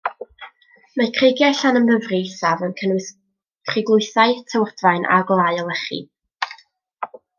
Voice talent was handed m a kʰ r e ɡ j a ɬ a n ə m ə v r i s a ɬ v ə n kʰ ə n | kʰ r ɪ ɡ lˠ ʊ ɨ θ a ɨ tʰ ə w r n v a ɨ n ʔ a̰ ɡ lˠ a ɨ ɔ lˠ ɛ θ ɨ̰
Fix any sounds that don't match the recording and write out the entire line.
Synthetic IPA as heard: m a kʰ r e ɡ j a ɬ a n ə m ə v r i s a v ə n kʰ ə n | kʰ r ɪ ɡ lˠ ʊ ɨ θ a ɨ tʰ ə w r d v a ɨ n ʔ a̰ ɡ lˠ a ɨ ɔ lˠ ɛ χ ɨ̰